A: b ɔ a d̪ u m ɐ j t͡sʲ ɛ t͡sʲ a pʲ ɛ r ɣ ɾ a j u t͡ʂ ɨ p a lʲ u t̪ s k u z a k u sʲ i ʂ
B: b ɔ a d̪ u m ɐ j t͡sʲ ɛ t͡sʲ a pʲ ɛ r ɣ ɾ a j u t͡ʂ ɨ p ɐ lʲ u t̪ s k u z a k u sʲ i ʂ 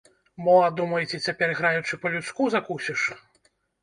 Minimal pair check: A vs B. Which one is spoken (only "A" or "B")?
B